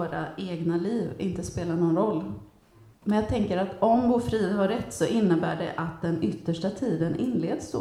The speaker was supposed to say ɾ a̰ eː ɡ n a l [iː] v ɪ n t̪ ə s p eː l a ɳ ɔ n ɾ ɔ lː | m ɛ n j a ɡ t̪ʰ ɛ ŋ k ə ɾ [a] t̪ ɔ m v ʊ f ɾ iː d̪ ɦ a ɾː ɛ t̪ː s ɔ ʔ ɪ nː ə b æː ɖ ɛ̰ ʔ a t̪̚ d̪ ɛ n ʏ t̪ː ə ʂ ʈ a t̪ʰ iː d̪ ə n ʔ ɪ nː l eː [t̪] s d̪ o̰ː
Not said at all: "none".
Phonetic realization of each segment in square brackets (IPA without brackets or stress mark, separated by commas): iː, a, d̪